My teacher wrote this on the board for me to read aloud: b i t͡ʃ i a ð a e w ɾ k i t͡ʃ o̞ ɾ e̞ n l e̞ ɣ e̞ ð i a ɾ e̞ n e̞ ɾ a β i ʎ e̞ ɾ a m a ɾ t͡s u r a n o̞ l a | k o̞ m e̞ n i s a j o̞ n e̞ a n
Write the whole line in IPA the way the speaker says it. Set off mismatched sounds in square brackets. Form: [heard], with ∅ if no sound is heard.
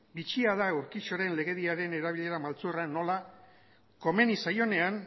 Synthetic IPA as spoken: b i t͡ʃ i a ð a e w ɾ k i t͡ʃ o̞ ɾ e̞ n l e̞ ɣ e̞ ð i a ɾ e̞ n e̞ ɾ a β i ʎ e̞ ɾ a m a [l] t͡s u r a n o̞ l a | k o̞ m e̞ n i s a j o̞ n e̞ a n